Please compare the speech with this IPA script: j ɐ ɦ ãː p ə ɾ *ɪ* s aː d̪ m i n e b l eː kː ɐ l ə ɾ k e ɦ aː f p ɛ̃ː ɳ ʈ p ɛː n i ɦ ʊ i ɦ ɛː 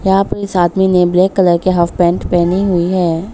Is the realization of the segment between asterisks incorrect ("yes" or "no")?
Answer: no